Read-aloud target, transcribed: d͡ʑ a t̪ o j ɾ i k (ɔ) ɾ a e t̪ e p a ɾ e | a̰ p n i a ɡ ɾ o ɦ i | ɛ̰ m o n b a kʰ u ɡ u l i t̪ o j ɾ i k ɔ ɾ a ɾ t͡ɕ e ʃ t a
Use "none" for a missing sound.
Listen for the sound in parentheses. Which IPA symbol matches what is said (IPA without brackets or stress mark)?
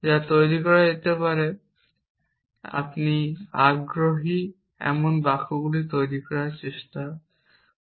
ɔ